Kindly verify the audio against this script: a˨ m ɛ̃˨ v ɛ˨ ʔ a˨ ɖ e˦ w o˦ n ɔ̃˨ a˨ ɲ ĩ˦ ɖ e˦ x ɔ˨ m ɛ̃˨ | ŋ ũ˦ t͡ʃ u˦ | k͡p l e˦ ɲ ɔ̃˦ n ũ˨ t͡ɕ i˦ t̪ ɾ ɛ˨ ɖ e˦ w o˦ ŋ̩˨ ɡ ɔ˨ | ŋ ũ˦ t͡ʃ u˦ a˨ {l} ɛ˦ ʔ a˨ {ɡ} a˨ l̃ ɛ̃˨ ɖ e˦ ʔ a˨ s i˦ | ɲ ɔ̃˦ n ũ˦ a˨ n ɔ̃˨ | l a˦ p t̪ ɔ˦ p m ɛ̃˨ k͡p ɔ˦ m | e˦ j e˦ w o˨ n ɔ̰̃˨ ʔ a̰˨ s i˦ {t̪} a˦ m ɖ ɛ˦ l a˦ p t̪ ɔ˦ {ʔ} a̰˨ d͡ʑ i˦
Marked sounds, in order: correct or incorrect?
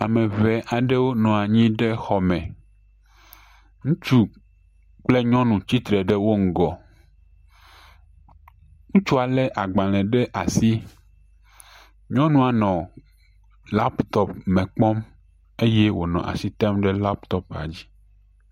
correct, incorrect: ɡ͡b, correct, incorrect: p

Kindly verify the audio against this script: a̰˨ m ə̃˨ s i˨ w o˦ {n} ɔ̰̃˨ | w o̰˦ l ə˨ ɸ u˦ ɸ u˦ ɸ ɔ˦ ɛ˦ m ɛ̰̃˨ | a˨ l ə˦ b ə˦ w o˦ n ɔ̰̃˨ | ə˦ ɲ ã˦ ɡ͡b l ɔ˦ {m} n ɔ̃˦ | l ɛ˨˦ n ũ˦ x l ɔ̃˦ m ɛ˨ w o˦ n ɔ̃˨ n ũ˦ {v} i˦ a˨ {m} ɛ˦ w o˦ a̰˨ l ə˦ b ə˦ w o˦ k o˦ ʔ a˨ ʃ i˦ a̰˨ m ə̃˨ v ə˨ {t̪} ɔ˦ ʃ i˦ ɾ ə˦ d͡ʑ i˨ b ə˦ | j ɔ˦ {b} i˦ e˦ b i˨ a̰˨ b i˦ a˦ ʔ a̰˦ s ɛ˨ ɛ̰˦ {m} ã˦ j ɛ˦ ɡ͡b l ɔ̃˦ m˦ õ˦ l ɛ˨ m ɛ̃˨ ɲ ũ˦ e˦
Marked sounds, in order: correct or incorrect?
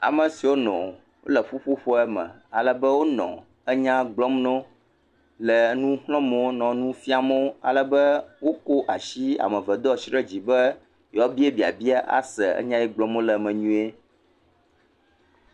correct, correct, incorrect: f, correct, incorrect: d̪, correct, incorrect: ɲ

